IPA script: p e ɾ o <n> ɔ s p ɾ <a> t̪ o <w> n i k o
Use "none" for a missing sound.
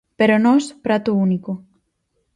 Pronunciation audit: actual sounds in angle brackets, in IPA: n, a, u

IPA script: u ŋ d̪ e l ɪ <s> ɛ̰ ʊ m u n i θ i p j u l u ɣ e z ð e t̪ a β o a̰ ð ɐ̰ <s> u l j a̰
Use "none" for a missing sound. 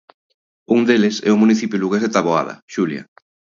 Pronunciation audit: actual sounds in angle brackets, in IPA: s, ʃ

